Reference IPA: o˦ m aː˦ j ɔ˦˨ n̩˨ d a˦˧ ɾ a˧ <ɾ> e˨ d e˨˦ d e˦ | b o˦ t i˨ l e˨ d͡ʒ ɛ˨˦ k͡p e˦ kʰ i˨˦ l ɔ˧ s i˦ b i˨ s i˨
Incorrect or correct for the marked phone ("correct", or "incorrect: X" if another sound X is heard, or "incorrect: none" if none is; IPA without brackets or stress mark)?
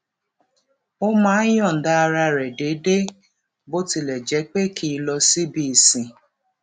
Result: correct